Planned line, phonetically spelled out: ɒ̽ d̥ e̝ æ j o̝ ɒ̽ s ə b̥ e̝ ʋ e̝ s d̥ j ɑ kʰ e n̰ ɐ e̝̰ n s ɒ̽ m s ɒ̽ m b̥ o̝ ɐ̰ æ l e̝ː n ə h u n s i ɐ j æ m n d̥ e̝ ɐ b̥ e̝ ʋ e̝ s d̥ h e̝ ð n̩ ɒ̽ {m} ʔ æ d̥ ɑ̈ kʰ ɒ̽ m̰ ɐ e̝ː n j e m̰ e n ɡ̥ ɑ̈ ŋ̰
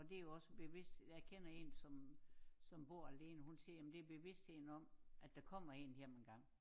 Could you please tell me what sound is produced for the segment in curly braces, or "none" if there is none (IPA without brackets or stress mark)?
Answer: m